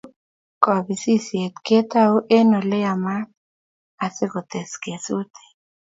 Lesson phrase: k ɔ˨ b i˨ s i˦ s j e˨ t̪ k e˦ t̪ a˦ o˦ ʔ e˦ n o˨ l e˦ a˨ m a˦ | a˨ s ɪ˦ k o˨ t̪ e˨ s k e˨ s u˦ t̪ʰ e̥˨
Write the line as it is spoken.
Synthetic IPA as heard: k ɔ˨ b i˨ s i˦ s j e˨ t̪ k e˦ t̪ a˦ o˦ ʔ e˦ n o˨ l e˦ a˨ m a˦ | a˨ s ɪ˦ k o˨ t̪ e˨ s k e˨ s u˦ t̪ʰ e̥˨